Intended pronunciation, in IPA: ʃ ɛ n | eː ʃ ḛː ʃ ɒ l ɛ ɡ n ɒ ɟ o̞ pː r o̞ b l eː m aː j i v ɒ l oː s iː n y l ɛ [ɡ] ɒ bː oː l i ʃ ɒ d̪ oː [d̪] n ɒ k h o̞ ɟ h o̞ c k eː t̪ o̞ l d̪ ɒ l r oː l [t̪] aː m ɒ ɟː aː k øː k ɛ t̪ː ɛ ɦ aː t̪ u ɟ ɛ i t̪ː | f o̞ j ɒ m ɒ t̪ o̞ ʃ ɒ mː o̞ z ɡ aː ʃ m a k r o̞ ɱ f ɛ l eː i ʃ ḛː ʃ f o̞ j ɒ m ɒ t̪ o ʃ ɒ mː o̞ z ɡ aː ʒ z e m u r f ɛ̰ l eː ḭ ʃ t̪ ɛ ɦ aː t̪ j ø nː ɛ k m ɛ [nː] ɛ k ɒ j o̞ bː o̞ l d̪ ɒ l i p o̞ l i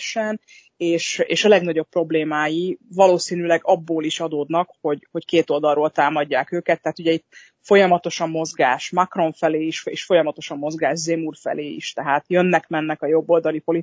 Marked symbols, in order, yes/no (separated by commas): yes, yes, yes, yes